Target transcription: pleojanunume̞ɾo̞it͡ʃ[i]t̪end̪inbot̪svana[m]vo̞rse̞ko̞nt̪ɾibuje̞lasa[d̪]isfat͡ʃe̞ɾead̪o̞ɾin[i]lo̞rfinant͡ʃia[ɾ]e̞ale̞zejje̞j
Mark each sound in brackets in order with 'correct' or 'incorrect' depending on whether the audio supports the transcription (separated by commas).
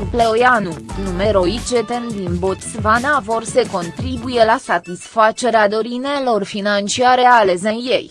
incorrect, incorrect, incorrect, incorrect, correct